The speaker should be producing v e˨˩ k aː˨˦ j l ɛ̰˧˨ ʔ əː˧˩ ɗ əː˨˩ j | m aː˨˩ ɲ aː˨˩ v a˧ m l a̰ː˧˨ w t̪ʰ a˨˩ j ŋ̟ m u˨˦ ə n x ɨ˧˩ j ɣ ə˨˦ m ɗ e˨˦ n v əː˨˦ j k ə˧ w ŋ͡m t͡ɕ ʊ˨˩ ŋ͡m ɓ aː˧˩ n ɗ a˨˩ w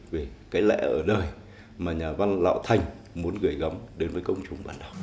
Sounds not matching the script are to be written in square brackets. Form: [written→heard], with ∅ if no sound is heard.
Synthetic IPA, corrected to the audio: v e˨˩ k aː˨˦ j l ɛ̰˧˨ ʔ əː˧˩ ɗ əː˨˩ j | m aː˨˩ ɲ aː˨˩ v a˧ [m→n] l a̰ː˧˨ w t̪ʰ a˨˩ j ŋ̟ m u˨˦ ə n [x→ɣ] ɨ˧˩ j ɣ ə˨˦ m ɗ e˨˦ n v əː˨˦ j k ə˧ w ŋ͡m t͡ɕ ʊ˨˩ ŋ͡m ɓ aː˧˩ n ɗ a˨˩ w